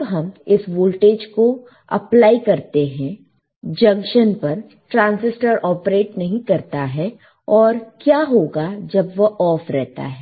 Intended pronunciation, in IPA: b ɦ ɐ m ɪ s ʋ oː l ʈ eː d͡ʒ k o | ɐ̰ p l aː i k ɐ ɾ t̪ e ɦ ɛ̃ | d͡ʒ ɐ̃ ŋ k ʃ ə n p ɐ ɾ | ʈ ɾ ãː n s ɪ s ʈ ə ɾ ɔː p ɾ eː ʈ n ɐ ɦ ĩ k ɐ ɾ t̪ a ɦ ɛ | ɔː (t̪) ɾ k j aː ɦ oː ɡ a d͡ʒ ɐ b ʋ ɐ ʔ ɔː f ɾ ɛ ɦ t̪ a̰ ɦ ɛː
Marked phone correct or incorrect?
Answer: incorrect